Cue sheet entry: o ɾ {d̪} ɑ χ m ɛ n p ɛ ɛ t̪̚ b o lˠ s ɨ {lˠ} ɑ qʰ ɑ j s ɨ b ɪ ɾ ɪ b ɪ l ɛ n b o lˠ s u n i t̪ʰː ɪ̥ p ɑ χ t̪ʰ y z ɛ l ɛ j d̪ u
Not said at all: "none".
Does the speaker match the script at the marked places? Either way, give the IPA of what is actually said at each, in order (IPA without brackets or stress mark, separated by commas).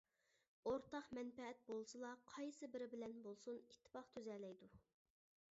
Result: t̪, lˠ